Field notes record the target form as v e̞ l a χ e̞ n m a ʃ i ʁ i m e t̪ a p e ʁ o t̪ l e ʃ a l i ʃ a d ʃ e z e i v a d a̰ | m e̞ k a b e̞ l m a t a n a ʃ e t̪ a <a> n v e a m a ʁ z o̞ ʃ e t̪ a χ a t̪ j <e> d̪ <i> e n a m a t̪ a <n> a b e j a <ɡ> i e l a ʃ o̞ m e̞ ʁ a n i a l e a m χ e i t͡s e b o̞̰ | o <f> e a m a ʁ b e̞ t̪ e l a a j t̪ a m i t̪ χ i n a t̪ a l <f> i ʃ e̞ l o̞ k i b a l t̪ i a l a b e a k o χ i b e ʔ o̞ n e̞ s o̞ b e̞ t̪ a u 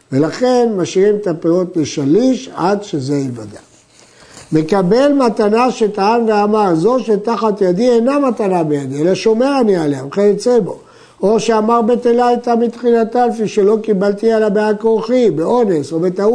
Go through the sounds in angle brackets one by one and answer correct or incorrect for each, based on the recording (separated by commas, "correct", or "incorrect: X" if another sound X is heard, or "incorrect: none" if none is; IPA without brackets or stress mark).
correct, incorrect: a, correct, correct, incorrect: d, incorrect: ʃ, correct